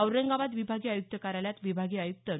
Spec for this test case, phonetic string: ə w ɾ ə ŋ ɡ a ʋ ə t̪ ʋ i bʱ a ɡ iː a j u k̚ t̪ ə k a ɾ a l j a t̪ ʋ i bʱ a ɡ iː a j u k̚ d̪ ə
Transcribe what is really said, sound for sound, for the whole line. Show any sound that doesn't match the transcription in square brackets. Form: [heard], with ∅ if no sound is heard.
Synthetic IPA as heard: ə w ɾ ə ŋ ɡ a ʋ [a] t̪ ʋ i bʱ a ɡ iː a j u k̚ t̪ ə k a ɾ a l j a t̪ ʋ i bʱ a ɡ iː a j u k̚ [t̪] ə

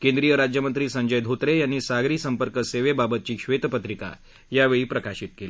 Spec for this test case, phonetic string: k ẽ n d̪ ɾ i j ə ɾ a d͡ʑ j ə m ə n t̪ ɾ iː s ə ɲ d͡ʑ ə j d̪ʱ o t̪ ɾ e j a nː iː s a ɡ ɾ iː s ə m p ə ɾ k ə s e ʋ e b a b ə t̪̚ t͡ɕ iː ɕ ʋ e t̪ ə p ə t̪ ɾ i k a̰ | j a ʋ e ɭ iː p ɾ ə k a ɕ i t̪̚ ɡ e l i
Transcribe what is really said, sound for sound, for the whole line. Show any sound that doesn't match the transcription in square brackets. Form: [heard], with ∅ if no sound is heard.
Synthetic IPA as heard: k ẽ n d̪ ɾ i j ə ɾ a d͡ʑ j ə m ə n t̪ ɾ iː s ə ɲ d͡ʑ ə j d̪ʱ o t̪ ɾ e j a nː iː s a ɡ ɾ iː s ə m p ə ɾ k ə s e ʋ e b a b ə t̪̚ t͡ɕ iː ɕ ʋ e t̪ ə p ə t̪ ɾ i k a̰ | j a ʋ e ɭ iː p ɾ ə k a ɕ i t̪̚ [k] e l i

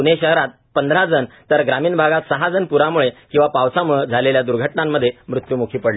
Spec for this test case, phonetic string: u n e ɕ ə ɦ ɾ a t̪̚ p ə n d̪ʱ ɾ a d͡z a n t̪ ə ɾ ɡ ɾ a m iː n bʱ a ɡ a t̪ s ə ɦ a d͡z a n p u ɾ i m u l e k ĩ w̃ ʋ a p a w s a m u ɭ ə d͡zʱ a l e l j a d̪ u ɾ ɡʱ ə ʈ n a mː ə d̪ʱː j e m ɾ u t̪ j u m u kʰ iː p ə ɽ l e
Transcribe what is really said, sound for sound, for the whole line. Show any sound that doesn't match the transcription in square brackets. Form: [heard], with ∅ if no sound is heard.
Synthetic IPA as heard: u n e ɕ ə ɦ ɾ a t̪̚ p ə n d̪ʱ ɾ a d͡z [ə] n t̪ ə ɾ ɡ ɾ a m iː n bʱ a ɡ a t̪ s ə ɦ a d͡z [ə] n p u ɾ [a] m u [ɭ] e k ĩ w̃ ʋ a p a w s a m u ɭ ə d͡zʱ a l e l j a d̪ u ɾ ɡʱ ə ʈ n a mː ə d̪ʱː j e m ɾ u t̪ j u m u kʰ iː p ə ɽ l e

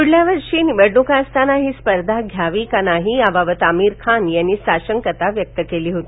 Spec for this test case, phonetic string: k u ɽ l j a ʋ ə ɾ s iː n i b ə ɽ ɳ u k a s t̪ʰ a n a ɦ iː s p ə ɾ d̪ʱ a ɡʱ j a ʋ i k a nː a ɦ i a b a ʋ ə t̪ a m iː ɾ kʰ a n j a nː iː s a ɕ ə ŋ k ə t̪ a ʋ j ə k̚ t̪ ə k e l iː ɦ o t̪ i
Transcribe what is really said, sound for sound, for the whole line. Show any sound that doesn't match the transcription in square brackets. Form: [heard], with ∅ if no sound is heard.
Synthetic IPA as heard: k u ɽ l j a ʋ ə ɾ [ʂ] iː n i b ə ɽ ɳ u k a s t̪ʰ a n a ɦ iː s p ə ɾ d̪ʱ a ɡʱ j a ʋ i k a [n] a ɦ i a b a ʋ ə t̪ a m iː ɾ kʰ a n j a nː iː s a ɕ ə ŋ k ə t̪ a ʋ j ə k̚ t̪ ə k e l iː ɦ o t̪ i

